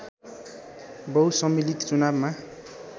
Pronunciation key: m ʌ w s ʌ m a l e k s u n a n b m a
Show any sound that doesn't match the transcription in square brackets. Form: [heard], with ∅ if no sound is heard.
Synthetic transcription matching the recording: [b] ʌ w s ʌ m [i] l [i] k [t͡s] u n a [∅] b m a